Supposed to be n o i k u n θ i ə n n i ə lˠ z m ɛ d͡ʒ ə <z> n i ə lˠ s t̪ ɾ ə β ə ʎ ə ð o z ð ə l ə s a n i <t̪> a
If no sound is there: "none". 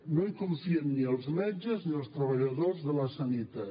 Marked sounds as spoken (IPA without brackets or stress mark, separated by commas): z, t̪